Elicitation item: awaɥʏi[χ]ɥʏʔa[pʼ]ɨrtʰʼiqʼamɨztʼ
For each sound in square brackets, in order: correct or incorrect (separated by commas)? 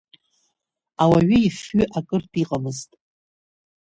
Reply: incorrect, incorrect